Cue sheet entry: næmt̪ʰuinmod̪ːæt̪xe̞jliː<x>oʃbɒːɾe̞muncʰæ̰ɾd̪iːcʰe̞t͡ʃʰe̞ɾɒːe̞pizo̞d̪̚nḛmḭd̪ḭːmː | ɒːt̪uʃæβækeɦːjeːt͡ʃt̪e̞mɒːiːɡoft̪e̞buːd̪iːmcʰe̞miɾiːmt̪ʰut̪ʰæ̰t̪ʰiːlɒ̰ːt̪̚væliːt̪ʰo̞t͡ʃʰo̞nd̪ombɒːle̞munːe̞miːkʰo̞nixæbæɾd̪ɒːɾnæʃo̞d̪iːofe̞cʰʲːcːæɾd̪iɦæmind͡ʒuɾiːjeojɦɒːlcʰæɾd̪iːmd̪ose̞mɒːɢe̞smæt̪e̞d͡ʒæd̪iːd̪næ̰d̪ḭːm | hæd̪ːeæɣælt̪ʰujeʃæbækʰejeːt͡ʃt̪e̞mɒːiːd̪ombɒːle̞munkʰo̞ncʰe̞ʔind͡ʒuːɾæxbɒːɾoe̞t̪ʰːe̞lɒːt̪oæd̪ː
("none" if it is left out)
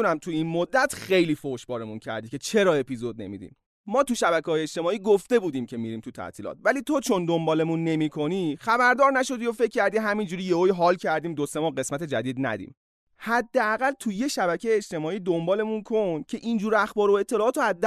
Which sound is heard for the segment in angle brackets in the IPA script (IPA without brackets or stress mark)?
f